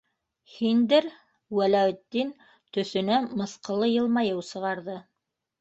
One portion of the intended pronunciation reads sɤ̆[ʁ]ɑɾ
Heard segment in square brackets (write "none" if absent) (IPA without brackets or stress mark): ʁ